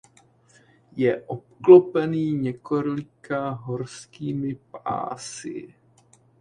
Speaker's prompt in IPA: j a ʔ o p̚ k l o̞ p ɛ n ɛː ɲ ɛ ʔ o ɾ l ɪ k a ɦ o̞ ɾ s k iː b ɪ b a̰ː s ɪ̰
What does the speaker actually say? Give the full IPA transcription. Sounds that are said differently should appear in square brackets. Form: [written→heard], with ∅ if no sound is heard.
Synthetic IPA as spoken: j [a→ɛ] ʔ o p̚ k l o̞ p ɛ n [ɛː→iː] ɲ ɛ [ʔ→k] o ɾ l ɪ k a ɦ o̞ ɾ s k iː [b→m] ɪ [b→p] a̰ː s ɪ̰